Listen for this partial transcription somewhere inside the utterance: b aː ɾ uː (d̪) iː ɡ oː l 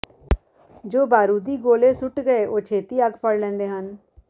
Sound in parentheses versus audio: correct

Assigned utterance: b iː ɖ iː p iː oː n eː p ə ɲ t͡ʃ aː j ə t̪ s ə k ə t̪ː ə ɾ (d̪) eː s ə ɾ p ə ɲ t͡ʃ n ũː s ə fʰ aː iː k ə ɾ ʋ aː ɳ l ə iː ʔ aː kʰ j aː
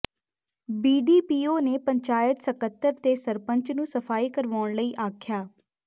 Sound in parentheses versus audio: incorrect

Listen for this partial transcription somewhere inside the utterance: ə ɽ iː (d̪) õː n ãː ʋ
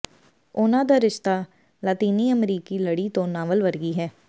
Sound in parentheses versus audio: incorrect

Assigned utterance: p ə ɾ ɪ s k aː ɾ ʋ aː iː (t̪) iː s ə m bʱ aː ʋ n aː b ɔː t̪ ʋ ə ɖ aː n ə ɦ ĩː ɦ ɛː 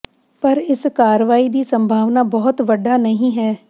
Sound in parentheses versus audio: incorrect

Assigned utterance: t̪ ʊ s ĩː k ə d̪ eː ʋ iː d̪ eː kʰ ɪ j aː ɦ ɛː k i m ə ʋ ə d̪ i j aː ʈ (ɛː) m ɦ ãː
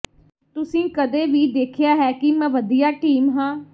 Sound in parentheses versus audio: incorrect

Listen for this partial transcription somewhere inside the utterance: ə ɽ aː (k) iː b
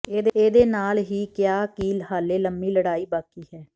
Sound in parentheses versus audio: incorrect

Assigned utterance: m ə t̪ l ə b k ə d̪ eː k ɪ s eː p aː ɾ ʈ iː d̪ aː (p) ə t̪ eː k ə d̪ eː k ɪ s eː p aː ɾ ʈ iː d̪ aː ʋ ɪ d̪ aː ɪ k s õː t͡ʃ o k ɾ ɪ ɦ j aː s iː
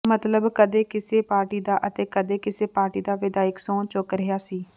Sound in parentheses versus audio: incorrect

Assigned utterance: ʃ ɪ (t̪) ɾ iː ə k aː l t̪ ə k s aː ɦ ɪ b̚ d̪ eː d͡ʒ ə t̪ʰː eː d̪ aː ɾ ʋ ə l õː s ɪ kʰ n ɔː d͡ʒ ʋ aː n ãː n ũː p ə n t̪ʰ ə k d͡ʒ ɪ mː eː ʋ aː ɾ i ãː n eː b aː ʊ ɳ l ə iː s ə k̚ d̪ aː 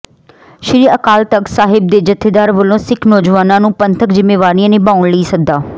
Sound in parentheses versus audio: incorrect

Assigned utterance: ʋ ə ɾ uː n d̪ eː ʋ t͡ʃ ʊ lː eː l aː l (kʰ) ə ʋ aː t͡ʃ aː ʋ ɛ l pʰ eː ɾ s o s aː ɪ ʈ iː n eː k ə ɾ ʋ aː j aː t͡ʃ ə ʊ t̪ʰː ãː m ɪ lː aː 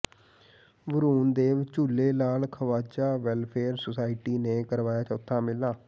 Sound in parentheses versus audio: correct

